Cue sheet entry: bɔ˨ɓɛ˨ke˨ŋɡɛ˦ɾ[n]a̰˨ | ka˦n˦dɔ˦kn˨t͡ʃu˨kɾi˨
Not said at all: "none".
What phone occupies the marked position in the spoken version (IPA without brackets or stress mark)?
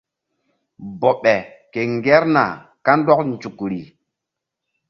n